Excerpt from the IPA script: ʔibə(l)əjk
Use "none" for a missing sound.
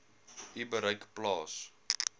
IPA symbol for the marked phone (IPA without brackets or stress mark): ɾ